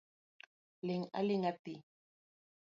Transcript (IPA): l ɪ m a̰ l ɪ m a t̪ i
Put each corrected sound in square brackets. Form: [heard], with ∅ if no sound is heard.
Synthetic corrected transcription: l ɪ [ŋ] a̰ l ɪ [ŋ] a t̪ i